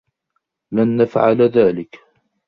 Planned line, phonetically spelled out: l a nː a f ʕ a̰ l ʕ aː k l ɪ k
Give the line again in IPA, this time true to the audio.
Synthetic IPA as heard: l a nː a f ʕ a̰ l ð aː l ɪ k

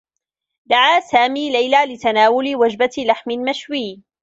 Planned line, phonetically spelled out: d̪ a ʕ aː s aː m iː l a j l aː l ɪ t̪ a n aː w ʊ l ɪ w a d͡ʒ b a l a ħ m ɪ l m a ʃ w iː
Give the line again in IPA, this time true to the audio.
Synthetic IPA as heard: d̪ a ʕ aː s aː m iː l a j l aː l ɪ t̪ a n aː w ʊ l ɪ w a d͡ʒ b a l a ħ m ɪ l m a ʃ w iː

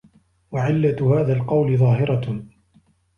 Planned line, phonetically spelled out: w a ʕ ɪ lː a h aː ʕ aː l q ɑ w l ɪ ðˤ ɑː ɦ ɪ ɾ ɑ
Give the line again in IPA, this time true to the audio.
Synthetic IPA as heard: w a ʕ ɪ lː a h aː ð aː l q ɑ w l ɪ ðˤ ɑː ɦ ɪ ɾ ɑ

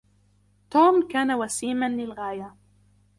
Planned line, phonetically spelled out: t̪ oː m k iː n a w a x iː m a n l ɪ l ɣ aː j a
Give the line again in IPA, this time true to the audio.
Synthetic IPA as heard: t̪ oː m k aː n a w a s iː m a n l ɪ l ɣ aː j a

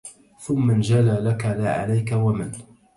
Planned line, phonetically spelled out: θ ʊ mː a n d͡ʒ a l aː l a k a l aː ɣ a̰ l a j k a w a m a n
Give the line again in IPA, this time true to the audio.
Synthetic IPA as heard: θ ʊ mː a n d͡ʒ a l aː l a k a l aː ʕ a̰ l a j k a w a m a n

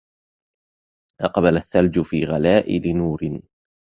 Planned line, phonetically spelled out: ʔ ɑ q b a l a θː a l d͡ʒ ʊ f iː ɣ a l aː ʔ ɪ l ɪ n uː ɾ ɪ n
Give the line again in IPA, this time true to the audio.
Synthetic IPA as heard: ʔ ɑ q b a l a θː a l d͡ʒ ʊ f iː ɣ a l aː ʔ ɪ l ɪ n uː ɾ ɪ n

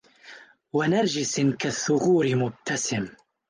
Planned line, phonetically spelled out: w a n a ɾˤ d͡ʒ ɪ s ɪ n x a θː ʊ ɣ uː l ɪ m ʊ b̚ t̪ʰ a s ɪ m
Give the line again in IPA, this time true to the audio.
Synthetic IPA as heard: w a n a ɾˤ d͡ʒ ɪ s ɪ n k a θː ʊ ɣ uː ɾ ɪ m ʊ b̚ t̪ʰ a s ɪ m

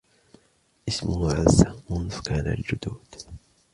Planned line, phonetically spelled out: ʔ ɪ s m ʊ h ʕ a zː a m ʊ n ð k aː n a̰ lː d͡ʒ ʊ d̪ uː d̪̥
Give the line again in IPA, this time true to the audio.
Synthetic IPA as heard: ʔ ɪ s m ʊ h ʕ a zː a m ʊ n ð k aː n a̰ l d͡ʒ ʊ d̪ uː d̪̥

